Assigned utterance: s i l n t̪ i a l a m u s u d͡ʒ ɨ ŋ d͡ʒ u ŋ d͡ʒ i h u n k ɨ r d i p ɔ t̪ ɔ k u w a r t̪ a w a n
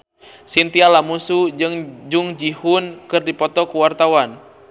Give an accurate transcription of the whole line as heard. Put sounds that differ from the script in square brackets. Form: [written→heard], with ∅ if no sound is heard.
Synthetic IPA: s i [l→∅] n t̪ i a l a m u s u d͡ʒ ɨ ŋ d͡ʒ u ŋ d͡ʒ i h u n k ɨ r d i p ɔ t̪ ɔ k u w a r t̪ a w a n